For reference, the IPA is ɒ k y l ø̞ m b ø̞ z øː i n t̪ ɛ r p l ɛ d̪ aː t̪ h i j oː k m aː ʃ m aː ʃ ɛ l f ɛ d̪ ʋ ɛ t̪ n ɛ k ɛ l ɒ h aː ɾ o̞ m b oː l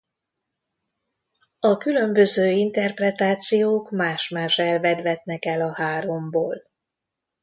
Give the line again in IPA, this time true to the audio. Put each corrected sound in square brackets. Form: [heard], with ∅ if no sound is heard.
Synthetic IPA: ɒ k y l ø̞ m b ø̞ z øː i n t̪ ɛ r p [r] ɛ [t̪] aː t̪ [s] i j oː k m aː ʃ m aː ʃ ɛ l [v] ɛ d̪ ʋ ɛ t̪ n ɛ k ɛ l ɒ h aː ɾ o̞ m b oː l

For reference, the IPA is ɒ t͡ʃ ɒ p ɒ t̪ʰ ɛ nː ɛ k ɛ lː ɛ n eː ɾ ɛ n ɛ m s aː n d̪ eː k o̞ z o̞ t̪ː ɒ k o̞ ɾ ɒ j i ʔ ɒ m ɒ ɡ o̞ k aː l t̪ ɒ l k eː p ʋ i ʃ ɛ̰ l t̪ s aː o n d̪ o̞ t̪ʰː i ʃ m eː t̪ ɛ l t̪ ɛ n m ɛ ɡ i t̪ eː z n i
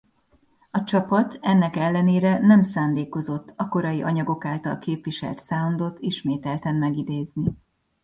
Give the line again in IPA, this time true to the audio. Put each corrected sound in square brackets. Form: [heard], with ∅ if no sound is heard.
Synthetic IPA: ɒ t͡ʃ ɒ p ɒ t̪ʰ ɛ nː ɛ k ɛ lː ɛ n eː ɾ ɛ n ɛ m s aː n d̪ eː k o̞ z o̞ t̪ː ɒ k o̞ ɾ ɒ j i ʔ ɒ [ɲ] ɒ ɡ o̞ k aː l t̪ ɒ l k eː p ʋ i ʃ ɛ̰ l t̪ s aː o n d̪ o̞ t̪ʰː i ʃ m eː t̪ ɛ l t̪ ɛ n m ɛ ɡ i [d̪] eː z n i

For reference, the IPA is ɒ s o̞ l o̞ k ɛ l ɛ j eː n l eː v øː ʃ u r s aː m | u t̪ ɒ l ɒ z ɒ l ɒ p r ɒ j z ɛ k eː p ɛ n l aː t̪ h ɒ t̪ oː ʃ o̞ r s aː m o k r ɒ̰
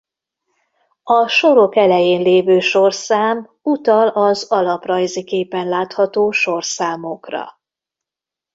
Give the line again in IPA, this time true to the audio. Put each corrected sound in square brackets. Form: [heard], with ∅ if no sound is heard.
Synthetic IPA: ɒ [ʃ] o̞ [ɾ] o̞ k ɛ l ɛ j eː n l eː v øː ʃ [o] r s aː m | u t̪ ɒ l ɒ z ɒ l ɒ p r ɒ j z [i] k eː p ɛ n l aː t̪ h ɒ t̪ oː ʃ o̞ r s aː m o k r ɒ̰

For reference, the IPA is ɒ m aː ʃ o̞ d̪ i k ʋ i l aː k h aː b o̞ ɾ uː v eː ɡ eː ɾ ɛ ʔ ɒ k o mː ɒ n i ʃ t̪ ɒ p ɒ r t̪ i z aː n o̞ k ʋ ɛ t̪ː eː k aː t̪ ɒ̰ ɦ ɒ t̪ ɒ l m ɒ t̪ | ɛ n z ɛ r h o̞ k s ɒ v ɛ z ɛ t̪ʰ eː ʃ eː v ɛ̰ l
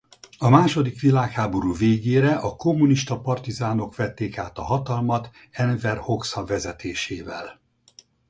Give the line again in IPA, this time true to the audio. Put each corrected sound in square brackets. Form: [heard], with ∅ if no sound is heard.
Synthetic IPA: ɒ m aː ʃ o̞ d̪ i k ʋ i l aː k h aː b o̞ ɾ uː v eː ɡ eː ɾ ɛ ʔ ɒ k o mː [u] n i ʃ t̪ ɒ p ɒ r t̪ i z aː n o̞ k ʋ ɛ t̪ː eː k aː t̪ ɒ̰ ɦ ɒ t̪ ɒ l m ɒ t̪ | ɛ n [v] ɛ r h o̞ k s ɒ v ɛ z ɛ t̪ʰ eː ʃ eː v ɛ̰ l

